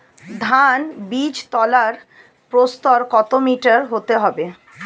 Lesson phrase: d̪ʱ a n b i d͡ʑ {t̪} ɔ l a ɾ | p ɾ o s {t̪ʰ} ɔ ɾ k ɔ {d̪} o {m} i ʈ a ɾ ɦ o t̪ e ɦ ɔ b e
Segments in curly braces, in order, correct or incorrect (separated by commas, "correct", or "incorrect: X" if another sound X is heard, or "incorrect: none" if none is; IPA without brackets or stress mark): correct, incorrect: t̪, incorrect: t̪, correct